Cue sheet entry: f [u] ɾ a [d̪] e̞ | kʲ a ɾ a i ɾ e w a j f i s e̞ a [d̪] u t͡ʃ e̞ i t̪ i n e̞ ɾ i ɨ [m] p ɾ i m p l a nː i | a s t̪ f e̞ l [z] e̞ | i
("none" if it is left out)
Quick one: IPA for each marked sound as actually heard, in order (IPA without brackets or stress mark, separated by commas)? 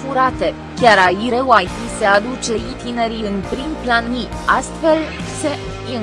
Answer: u, t̪, d̪, n, s